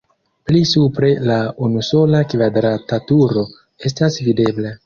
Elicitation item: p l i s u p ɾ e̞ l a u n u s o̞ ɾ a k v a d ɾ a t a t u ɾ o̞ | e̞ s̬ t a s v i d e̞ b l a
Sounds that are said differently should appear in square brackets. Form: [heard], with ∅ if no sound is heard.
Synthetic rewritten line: p l i s u p ɾ e̞ l a u n u s o̞ [l] a k v a d ɾ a t a t u ɾ o̞ | e̞ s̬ t a s v i d e̞ b l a

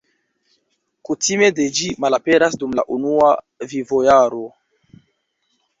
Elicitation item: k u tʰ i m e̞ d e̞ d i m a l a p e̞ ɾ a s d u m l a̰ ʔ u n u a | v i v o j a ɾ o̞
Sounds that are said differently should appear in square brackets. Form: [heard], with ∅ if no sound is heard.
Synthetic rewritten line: k u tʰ i m e̞ d e̞ [d͡ʒ] i m a l a p e̞ ɾ a s d u m l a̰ ʔ u n u a | v i v o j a ɾ o̞

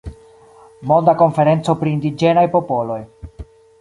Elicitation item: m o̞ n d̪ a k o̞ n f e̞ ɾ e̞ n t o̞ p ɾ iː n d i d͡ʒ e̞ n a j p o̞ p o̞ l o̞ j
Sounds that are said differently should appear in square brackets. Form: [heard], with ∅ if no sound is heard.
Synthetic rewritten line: m o̞ n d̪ a k o̞ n f e̞ ɾ e̞ n [t͡s] o̞ p ɾ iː n d i d͡ʒ e̞ n a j p o̞ p o̞ l o̞ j

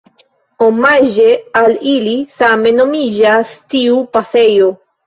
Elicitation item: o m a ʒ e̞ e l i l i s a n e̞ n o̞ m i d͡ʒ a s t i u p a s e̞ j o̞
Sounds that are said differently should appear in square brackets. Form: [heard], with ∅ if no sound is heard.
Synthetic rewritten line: o m a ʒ e̞ [a] l i l i s a [m] e̞ n o̞ m i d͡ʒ a s t i u p a s e̞ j o̞

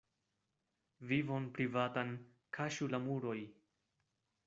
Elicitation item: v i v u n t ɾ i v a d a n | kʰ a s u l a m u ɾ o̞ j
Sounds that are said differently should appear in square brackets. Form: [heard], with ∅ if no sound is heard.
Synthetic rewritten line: v i v [o] n [p] ɾ i v a [t] a n | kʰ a [ʃ] u l a m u ɾ o̞ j

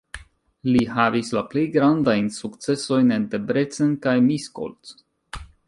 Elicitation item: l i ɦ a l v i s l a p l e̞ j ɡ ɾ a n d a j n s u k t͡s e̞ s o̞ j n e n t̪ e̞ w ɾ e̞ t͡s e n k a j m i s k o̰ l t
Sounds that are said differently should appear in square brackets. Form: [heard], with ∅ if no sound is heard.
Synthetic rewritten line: l i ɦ a [∅] v i s l a p l e̞ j ɡ ɾ a n d a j n s u k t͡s e̞ s o̞ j n e n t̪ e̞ [b] ɾ e̞ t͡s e n k a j m i s k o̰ l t

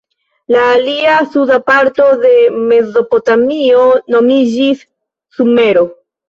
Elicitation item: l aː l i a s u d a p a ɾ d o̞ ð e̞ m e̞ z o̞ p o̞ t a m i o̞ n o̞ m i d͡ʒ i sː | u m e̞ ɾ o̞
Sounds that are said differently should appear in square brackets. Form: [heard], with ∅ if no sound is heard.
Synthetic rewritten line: l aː l i a s u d a p a ɾ [t] o̞ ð e̞ m e̞ z o̞ p o̞ t a m i o̞ n o̞ m i d͡ʒ i sː | u m e̞ ɾ o̞

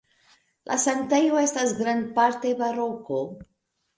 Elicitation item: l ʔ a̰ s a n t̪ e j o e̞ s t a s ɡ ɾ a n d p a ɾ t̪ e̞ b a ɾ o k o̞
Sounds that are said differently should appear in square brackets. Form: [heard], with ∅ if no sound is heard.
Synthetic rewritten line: l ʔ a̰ s a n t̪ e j o e̞ s t a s ɡ ɾ a n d p a ɾ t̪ e̞ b a ɾ o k o̞

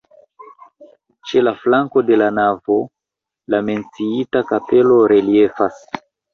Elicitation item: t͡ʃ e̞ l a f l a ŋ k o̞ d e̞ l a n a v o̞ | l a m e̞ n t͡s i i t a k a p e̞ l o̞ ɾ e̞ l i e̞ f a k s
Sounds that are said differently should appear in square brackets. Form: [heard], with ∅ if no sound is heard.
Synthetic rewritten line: t͡ʃ e̞ l a f l a ŋ k o̞ d e̞ l a n a v o̞ | l a m e̞ n t͡s i i t a k a p e̞ l o̞ ɾ e̞ l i e̞ f a [∅] s

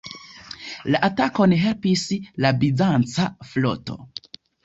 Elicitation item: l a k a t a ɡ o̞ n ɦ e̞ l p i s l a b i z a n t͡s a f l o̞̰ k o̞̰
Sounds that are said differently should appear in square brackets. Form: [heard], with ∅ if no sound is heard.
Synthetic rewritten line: l a [ʔ] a t a [k] o̞ n ɦ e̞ l p i s l a b i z a n t͡s a f l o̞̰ [t] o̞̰

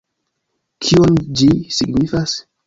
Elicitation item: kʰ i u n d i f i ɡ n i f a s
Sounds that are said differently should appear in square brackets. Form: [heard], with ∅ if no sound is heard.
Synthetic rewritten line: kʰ i [o] n [d͡ʒ] i [s] i ɡ n i f a s

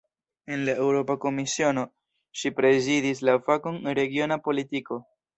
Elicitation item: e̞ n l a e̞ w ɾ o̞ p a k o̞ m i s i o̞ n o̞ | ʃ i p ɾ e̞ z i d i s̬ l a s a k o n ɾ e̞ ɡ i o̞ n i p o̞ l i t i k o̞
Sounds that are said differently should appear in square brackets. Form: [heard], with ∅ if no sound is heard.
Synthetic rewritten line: e̞ n l a e̞ w ɾ o̞ p a k o̞ m i s i o̞ n o̞ | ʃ i p ɾ e̞ z i d i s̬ l a [f] a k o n ɾ e̞ ɡ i o̞ n [a] p o̞ l i t i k o̞

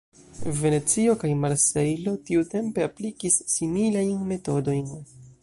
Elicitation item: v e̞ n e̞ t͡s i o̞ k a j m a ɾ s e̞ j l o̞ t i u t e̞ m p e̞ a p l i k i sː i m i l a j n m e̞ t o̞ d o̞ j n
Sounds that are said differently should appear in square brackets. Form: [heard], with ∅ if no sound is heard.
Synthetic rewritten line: v e̞ n e̞ t͡s i o̞ k a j m a ɾ s e̞ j l o̞ t i u t e̞ m p e̞ a p l i k i sː i m i l a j n m e̞ t o̞ d o̞ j n

